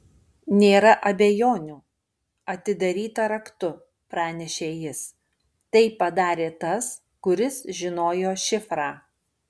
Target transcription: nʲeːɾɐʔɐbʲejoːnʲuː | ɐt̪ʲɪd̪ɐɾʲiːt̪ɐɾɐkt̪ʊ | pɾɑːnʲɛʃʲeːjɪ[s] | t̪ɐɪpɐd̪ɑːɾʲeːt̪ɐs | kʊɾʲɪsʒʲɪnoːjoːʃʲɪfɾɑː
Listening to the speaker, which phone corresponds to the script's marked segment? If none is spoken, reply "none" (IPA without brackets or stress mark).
s